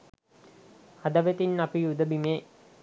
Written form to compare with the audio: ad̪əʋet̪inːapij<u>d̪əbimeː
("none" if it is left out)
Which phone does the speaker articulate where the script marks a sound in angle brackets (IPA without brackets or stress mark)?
u